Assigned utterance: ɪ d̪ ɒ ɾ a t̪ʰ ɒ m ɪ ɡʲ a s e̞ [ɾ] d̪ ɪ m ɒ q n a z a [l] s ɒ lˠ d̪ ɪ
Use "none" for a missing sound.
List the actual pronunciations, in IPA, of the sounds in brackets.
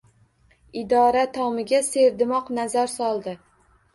ɾ, ɾ

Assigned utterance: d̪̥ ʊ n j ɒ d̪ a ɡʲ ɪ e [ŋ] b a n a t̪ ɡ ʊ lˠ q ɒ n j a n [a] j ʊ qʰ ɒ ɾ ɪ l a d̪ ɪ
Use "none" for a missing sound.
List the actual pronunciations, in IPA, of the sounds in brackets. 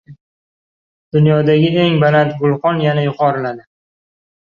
ŋ, a

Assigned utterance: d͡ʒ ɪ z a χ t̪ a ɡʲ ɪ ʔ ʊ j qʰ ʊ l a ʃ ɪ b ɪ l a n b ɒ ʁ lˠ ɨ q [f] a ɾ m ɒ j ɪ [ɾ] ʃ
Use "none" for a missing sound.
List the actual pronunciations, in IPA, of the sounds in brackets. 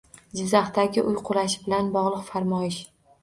f, none

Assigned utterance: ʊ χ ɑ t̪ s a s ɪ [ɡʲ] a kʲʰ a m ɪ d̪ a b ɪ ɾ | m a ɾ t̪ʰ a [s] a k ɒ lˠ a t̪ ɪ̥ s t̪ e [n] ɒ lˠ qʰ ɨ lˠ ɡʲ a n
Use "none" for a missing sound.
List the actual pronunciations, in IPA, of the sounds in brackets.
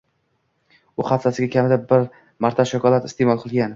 ɡʲ, ʃ, m

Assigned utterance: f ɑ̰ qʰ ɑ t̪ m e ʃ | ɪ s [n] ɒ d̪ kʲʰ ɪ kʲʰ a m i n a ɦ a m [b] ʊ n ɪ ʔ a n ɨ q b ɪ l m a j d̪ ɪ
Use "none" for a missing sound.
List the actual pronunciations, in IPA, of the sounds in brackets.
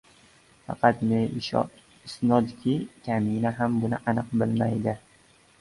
n, b

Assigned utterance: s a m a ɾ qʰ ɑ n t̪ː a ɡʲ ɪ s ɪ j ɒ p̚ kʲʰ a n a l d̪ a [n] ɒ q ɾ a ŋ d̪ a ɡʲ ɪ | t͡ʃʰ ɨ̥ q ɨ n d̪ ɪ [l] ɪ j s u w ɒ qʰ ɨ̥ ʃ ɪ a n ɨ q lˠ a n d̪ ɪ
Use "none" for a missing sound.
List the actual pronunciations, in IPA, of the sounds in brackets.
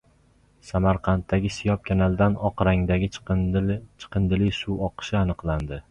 n, l

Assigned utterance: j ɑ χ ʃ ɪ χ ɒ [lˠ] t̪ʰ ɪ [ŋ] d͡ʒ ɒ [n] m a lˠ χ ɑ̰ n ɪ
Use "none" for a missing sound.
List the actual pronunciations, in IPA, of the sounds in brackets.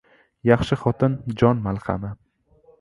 none, n, n

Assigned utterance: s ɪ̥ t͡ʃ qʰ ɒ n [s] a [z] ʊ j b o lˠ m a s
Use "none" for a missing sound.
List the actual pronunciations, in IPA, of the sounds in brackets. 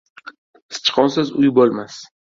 s, z

